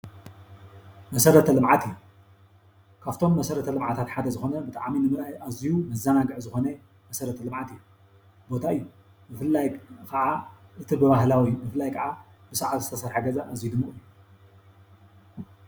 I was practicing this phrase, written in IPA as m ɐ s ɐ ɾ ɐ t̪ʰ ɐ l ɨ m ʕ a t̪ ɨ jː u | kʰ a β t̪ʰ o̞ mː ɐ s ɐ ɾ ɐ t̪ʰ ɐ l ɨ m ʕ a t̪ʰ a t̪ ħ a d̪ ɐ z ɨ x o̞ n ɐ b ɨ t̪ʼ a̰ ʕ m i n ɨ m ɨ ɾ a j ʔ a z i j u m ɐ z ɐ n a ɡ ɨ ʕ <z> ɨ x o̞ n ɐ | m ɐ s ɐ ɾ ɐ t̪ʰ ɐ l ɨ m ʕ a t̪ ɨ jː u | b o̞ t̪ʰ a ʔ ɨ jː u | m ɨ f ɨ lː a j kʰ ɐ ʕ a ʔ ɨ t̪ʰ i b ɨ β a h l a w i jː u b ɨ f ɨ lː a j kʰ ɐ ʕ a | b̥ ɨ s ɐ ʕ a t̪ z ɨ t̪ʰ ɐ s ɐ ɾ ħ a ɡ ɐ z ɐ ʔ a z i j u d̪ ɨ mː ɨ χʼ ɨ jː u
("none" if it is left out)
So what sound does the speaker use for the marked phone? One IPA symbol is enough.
z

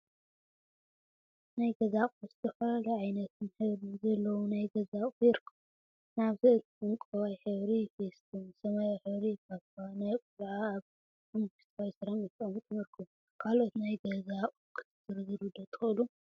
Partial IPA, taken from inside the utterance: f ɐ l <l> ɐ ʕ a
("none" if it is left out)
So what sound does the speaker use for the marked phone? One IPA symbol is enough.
l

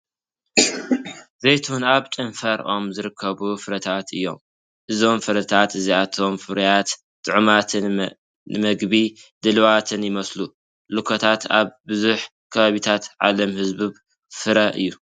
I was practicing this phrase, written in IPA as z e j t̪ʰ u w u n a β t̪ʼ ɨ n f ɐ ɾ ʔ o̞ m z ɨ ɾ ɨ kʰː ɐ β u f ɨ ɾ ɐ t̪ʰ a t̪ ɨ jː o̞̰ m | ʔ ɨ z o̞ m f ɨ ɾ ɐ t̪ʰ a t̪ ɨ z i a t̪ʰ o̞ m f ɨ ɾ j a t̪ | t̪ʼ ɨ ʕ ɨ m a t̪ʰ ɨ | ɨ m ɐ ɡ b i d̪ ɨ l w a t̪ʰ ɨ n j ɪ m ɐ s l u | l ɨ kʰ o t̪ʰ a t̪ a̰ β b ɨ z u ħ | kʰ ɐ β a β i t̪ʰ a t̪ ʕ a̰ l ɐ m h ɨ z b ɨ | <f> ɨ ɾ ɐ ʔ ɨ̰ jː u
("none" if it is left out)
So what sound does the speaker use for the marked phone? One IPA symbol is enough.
f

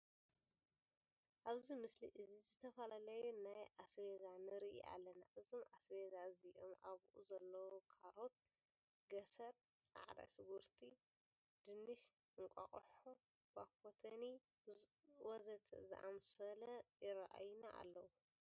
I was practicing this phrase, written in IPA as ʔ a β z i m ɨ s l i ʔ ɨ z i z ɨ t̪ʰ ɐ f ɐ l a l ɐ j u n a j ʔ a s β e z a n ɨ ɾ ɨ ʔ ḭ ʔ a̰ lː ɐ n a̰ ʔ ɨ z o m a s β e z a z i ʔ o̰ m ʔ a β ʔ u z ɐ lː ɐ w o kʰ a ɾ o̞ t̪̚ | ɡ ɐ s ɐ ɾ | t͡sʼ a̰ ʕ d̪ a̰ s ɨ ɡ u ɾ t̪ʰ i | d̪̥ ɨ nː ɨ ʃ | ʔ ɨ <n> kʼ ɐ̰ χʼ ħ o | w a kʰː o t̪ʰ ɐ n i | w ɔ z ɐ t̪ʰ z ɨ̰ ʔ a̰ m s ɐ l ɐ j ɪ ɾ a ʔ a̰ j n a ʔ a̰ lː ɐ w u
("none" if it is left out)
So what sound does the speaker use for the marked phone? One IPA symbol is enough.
ŋ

